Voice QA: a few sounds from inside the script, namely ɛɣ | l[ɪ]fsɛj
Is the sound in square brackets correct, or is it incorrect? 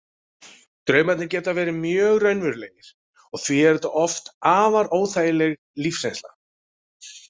incorrect